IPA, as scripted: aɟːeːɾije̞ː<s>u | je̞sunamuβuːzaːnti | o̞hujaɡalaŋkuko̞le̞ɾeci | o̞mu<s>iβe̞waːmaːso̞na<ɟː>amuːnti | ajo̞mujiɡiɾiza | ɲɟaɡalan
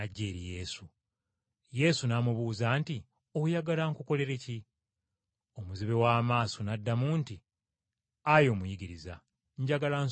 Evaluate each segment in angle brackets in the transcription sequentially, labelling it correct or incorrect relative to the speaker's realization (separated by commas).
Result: correct, incorrect, incorrect